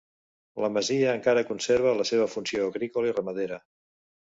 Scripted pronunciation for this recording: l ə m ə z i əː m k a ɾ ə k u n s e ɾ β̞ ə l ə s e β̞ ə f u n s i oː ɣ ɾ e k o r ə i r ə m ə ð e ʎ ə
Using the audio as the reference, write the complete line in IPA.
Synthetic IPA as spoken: l ə m ə z i əː ŋ k a ɾ ə k u n s e ɾ β̞ ə l ə s e β̞ ə f u n s i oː ɣ ɾ i k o l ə i r ə m ə ð e ɾ ə